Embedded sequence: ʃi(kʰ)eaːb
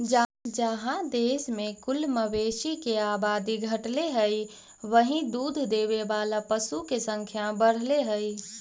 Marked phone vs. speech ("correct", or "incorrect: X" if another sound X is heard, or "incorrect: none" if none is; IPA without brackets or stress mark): incorrect: k